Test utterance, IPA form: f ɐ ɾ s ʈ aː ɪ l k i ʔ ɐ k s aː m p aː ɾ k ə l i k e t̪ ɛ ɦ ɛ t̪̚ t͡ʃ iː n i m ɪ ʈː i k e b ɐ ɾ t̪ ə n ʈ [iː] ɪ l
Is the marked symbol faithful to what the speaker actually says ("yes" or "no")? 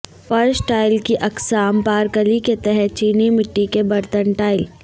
no